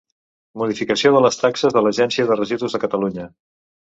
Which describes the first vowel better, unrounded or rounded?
rounded